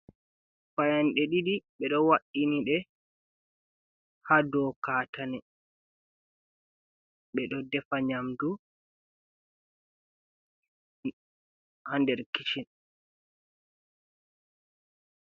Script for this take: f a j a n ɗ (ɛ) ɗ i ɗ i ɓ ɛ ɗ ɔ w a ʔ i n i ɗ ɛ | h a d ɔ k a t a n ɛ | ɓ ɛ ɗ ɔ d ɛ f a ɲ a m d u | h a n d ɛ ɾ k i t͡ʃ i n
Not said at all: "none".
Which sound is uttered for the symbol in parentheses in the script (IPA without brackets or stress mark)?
ɛ